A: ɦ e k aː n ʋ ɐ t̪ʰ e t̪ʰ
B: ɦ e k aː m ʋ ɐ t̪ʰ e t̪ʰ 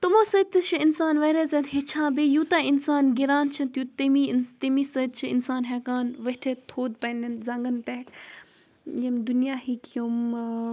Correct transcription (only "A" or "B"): A